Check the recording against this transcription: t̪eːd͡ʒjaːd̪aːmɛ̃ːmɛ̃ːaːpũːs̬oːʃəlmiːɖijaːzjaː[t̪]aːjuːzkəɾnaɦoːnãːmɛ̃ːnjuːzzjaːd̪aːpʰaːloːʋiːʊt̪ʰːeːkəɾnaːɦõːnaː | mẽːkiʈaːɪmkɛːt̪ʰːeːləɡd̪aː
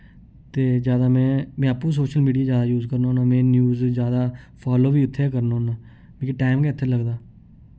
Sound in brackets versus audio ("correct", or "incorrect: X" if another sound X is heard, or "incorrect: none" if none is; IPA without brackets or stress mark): incorrect: d̪